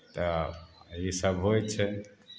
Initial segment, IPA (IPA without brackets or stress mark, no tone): t̪